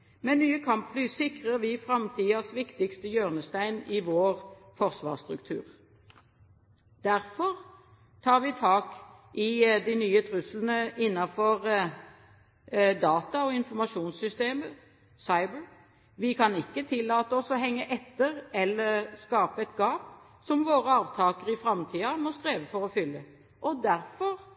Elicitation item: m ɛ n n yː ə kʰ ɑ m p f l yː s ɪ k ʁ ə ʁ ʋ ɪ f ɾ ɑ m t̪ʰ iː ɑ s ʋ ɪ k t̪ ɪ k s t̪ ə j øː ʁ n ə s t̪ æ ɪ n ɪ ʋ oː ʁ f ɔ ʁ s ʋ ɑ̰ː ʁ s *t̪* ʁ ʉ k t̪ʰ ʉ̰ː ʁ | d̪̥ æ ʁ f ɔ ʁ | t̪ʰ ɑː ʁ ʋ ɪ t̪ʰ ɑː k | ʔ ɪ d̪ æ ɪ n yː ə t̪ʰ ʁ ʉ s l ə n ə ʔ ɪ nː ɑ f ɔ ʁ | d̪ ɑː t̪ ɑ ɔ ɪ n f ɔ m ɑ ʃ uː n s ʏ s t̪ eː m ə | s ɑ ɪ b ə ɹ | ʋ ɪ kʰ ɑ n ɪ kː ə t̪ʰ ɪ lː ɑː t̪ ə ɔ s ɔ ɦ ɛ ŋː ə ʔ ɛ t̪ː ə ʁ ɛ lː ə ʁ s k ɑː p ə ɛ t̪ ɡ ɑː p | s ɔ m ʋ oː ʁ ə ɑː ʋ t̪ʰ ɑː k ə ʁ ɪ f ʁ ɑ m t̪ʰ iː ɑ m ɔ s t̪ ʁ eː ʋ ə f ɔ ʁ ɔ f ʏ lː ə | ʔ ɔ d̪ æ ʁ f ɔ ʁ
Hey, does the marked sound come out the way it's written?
yes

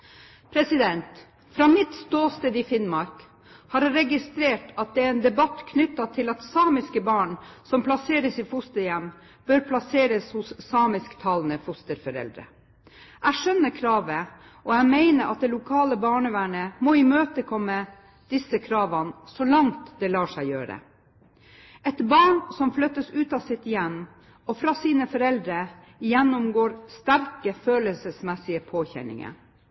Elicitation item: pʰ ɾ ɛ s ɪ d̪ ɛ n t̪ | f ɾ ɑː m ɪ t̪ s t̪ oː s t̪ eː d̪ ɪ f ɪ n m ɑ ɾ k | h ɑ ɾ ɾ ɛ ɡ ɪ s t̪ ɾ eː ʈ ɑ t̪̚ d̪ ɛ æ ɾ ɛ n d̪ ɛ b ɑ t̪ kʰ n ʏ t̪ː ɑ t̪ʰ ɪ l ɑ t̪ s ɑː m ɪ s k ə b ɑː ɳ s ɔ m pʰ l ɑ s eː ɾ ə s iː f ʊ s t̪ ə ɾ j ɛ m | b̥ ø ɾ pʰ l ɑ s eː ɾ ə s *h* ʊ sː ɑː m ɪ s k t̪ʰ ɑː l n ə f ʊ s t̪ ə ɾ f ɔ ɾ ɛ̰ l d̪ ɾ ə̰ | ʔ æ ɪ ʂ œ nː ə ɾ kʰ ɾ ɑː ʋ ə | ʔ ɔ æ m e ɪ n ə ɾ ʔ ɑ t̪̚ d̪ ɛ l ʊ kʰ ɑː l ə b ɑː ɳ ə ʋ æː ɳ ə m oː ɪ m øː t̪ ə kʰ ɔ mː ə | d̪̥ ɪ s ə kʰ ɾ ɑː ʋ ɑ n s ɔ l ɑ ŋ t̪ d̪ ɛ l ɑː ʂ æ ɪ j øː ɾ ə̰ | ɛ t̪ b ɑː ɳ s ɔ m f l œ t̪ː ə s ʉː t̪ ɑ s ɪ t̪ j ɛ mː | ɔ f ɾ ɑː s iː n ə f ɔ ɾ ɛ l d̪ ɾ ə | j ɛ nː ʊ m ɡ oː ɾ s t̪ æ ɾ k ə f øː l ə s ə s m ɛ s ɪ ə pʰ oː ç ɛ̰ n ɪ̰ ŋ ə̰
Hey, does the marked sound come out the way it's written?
yes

